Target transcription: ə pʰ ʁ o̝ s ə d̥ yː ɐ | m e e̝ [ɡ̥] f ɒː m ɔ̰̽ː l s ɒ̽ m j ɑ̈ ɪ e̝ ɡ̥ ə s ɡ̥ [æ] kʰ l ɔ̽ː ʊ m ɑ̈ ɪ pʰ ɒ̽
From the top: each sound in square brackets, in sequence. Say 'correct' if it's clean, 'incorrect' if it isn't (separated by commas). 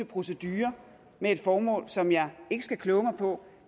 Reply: incorrect, correct